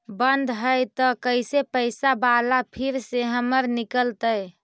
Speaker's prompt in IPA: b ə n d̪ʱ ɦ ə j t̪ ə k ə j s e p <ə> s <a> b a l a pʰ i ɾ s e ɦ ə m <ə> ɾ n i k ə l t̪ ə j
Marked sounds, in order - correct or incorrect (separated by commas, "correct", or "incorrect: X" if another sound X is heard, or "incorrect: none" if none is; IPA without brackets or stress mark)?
correct, correct, correct